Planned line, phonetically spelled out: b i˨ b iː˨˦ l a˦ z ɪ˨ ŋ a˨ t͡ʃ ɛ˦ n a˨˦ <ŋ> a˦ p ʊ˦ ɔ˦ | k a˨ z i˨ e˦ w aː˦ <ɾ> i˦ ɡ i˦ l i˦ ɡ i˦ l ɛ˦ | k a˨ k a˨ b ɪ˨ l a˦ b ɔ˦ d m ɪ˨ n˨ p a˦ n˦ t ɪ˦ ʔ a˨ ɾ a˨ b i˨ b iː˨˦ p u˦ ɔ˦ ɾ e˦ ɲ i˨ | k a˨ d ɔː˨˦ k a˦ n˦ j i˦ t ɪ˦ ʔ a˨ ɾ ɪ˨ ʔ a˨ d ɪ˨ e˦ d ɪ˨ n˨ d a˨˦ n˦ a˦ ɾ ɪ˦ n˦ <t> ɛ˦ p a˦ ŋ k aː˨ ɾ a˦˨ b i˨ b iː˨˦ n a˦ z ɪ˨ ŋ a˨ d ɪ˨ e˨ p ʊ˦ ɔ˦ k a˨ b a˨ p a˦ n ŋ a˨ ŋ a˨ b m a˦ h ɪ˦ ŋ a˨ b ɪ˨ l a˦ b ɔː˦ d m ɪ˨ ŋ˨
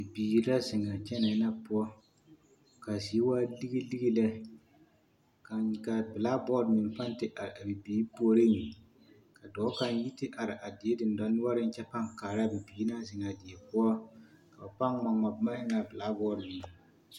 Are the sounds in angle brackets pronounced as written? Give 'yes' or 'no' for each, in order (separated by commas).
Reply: no, no, no